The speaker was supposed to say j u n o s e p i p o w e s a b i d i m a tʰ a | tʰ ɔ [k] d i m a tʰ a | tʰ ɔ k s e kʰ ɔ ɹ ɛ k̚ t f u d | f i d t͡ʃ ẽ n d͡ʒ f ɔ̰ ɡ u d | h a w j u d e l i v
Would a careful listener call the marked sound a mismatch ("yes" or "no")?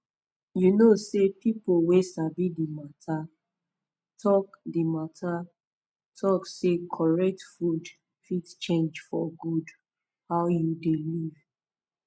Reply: no